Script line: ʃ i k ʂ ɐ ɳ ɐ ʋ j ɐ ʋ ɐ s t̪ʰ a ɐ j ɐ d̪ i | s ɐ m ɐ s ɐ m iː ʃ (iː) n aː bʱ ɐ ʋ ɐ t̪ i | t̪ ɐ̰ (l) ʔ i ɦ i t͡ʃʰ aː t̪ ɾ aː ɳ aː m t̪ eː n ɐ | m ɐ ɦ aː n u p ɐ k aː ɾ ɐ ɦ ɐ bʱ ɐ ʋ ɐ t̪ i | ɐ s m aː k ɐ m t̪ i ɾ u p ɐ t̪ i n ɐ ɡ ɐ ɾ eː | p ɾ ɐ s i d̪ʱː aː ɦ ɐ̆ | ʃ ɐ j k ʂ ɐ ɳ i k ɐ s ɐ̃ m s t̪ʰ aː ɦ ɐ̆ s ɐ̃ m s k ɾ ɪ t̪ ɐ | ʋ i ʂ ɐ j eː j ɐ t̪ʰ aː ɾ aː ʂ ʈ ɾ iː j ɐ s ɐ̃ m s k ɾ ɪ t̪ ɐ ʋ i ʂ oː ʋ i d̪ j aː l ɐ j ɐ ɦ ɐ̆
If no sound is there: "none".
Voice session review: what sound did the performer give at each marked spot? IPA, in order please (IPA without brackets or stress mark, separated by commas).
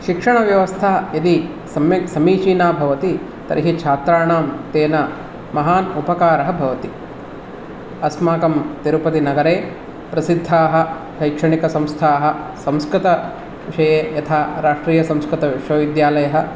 iː, ɾ